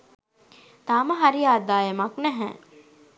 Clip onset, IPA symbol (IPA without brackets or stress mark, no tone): t̪